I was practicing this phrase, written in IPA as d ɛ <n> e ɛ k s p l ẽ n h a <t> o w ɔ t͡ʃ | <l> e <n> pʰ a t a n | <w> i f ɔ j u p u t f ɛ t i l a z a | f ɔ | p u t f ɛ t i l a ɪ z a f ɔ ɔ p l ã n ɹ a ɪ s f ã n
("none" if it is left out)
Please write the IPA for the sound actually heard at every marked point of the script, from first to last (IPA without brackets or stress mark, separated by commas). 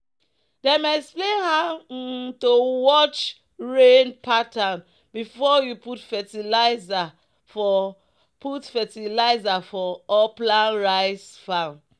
m, t, ɹ, n, b